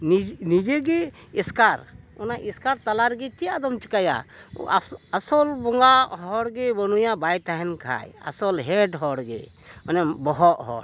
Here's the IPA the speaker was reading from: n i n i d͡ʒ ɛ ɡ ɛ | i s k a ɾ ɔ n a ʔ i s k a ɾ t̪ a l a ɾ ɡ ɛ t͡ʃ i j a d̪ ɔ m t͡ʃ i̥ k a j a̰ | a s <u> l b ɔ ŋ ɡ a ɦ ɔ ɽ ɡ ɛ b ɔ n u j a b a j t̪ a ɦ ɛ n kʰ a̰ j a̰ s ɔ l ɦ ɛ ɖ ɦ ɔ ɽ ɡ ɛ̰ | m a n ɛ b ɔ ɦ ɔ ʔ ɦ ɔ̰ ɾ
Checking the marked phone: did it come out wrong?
yes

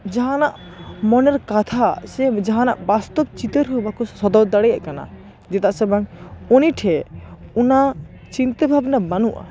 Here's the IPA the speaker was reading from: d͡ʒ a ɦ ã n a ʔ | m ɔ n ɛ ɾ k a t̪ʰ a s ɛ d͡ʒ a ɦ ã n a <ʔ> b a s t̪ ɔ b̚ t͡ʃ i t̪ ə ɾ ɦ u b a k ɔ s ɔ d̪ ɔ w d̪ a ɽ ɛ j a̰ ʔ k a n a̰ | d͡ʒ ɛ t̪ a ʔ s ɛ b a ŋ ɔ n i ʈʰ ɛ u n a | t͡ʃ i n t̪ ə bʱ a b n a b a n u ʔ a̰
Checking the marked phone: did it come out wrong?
no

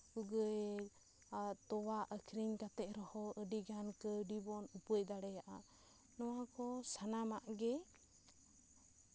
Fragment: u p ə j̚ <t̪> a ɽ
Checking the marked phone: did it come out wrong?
yes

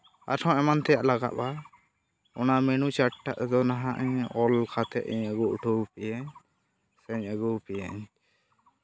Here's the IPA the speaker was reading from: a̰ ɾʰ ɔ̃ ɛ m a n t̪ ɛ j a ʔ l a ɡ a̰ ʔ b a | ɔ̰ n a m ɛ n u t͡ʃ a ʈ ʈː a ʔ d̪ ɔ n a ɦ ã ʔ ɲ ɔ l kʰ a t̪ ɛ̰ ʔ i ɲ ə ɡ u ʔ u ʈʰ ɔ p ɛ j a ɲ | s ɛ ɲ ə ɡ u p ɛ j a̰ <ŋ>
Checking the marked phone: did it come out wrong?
yes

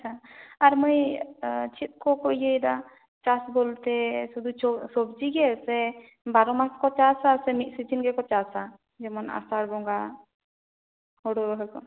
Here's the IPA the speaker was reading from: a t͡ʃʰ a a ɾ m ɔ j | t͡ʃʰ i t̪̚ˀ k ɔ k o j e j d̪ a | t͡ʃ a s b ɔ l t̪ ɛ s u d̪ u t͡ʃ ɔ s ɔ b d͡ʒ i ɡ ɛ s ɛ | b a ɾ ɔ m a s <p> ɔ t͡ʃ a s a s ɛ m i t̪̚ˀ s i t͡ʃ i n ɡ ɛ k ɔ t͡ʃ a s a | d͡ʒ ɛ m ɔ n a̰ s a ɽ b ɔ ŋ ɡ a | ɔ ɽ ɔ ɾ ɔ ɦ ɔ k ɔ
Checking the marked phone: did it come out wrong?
yes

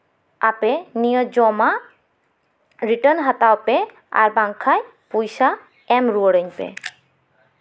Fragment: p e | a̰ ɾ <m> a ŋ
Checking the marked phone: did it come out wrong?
yes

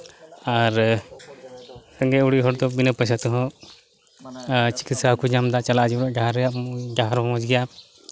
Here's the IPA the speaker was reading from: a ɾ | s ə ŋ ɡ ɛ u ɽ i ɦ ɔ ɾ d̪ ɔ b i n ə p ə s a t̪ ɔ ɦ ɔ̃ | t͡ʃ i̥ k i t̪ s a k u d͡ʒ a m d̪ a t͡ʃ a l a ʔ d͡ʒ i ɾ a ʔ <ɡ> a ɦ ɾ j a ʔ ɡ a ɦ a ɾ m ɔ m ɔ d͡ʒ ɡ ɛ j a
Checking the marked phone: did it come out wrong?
no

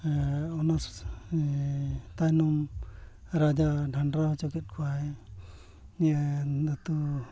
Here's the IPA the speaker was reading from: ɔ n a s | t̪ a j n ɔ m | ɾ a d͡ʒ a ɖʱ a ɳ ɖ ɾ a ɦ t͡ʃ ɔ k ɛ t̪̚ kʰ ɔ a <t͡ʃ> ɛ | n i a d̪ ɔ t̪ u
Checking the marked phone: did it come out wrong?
yes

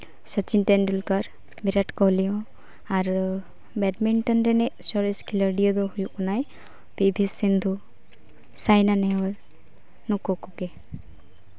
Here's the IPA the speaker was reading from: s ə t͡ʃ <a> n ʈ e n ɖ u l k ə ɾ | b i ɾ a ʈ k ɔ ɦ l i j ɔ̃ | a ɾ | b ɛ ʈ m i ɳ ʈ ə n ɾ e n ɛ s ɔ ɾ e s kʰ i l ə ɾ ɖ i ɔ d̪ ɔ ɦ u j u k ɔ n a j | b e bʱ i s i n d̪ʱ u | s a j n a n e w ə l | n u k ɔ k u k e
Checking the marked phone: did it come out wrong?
yes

